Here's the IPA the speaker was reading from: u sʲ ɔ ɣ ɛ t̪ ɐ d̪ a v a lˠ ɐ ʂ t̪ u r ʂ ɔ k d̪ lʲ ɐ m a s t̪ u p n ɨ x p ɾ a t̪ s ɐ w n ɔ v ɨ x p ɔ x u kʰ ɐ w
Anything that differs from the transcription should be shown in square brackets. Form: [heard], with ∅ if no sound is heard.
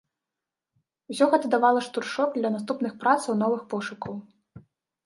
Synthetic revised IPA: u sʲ ɔ ɣ ɛ t̪ ɐ d̪ a v a lˠ ɐ ʂ t̪ u r ʂ ɔ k d̪ lʲ ɐ [n] a s t̪ u p n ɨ x p ɾ a t̪ s ɐ w n ɔ v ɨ x p ɔ [ʂ] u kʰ ɐ w